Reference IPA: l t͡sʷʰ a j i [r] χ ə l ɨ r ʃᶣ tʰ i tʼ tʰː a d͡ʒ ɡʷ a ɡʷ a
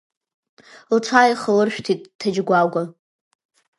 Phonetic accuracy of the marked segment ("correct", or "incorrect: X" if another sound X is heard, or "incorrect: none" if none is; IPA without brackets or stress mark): incorrect: none